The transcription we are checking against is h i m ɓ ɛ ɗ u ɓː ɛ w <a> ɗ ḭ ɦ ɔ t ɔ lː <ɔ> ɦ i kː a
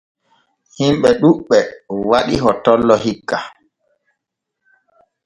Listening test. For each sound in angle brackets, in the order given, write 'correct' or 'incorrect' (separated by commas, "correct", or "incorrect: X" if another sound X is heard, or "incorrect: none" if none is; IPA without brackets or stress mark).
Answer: correct, correct